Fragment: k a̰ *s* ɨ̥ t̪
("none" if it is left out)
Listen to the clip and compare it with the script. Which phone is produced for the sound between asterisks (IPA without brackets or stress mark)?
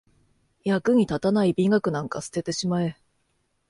s